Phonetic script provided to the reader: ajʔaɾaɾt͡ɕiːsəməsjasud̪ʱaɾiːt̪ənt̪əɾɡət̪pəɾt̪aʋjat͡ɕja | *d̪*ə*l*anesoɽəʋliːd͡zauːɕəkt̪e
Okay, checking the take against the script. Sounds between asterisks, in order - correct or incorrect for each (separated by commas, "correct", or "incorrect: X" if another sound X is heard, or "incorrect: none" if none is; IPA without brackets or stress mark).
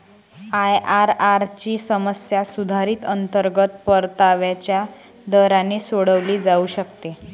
correct, incorrect: ɾ